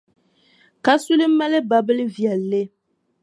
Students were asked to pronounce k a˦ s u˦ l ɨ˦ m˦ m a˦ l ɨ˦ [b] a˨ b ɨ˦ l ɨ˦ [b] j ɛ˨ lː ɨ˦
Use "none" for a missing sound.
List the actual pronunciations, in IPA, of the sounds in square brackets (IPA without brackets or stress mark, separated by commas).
b, v